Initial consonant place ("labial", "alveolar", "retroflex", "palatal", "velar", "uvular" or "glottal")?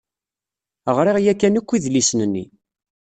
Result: uvular